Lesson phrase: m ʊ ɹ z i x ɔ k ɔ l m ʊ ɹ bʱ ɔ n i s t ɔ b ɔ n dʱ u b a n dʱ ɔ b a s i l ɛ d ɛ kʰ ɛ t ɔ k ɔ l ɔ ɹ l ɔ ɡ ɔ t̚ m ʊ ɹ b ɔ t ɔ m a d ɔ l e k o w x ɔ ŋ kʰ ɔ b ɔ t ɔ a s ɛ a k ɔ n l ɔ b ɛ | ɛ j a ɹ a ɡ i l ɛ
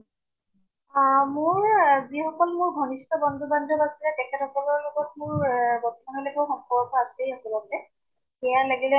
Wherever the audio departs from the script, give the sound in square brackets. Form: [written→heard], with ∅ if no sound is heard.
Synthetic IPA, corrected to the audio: m ʊ ɹ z i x ɔ k ɔ l m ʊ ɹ [bʱ→ɡʱ] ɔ n i s t ɔ b ɔ n dʱ u b a n dʱ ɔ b a s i l ɛ [d→t] ɛ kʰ ɛ t ɔ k ɔ l ɔ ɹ l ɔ ɡ ɔ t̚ m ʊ ɹ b ɔ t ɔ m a [d→n] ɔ l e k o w x ɔ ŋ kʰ ɔ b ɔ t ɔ a s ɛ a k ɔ [n→∅] l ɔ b ɛ | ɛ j a [ɹ→l] a ɡ i l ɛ